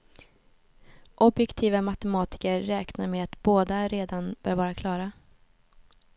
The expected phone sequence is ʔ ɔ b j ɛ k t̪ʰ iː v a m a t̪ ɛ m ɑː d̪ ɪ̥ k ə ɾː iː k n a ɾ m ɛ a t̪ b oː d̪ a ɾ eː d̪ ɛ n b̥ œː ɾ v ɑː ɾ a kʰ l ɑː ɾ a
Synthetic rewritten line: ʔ ɔ b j ɛ k t̪ʰ iː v a m a t̪ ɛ m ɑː t̪ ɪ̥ k ə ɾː ɛː k n a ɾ m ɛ a t̪ b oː d̪ a ɾ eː d̪ a n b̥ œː ɾ v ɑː ɾ a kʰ l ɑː ɾ a

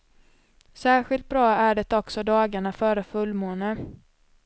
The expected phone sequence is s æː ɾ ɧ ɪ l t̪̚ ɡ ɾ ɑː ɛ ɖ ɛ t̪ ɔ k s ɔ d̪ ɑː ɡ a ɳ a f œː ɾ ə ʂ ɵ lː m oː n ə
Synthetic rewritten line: s æː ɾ ɧ ɪ l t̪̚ b ɾ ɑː æ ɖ ɛ t̪ ɔ k s ɔ d̪ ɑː ɡ a ɳ a f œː ɾ ə f ɵ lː m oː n ə

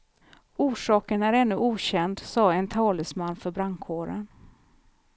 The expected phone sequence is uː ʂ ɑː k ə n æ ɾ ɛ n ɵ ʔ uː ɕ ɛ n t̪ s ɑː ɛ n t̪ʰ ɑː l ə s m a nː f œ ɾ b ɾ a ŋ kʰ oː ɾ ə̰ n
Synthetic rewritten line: uː ʂ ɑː k ə n æ ɾ ɛ nː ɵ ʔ uː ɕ ɛ n d̪ s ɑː ɛ n t̪ʰ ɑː l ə s m a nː f œ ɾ b ɾ a ŋ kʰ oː ɾ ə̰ n

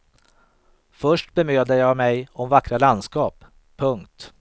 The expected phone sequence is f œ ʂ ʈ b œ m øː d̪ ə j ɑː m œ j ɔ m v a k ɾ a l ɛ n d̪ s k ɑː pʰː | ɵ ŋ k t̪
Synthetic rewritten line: f œ ʂ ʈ b ɛ m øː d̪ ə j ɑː m ɛ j ɔ m v a k ɾ a l a n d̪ s k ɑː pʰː | ɵ ŋ k t̪

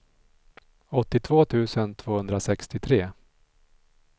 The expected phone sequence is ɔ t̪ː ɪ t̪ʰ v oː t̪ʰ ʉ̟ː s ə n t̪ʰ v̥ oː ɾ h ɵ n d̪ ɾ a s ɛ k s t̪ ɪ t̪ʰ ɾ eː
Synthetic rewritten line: ɔ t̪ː ɪ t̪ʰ v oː t̪ʰ ʉ̟ː s ə n t̪ʰ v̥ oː h ɵ n d̪ ɾ a s ɛ k s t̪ ɪ t̪ʰ ɾ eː

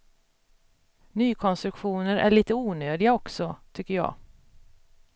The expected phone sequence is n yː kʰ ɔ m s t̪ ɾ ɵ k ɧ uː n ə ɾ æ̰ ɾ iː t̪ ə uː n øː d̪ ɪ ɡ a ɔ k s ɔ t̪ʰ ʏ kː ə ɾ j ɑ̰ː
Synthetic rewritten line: n yː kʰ ɔ n s t̪ ɾ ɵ k ɧ uː n ə ɾ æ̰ ɭ iː t̪ ə uː n øː d̪ ɪ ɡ a ɔ k s ɔ t̪ʰ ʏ kː ə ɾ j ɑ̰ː

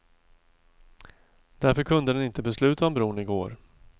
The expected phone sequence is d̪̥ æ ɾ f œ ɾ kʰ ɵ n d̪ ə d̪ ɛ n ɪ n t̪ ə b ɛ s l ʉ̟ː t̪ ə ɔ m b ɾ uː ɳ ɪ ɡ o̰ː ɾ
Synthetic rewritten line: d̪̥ æ ɾ f œ ɾ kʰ ɵ n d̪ ə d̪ ɛ n ɪ n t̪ ə b ɛ s l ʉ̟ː t̪ a ɔ m b ɾ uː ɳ ɪ ɡ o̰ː ɾ

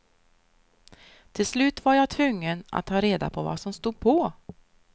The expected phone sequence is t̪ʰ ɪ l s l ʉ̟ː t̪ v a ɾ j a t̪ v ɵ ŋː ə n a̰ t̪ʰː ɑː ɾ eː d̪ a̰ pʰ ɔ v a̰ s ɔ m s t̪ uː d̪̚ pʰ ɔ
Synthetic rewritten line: t̪ʰ ɪ l s l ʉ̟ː t̪ v a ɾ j a t̪ʰ v ɵ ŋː ə n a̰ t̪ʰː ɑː ɾ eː d̪ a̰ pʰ ɔ v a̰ s ɔ m s t̪ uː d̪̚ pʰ ɔ

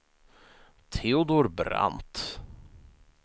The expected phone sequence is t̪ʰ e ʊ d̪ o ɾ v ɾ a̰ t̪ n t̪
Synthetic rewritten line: t̪ʰ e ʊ d̪ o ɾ b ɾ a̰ n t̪

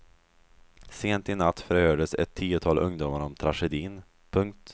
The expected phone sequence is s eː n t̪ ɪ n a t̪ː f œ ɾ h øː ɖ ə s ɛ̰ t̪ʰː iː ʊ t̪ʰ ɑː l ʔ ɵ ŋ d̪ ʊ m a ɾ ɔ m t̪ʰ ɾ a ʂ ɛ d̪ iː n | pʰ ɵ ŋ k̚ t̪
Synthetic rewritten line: s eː n t̪ ɪ n a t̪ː f œ ɾ h øː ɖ ə s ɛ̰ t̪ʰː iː ʊ t̪ʰ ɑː l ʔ ɵ ŋ d̪ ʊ m a ɾ ɔ m t̪ʰ ɾ a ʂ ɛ d̪ iː n | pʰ ɵ ŋ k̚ t̪

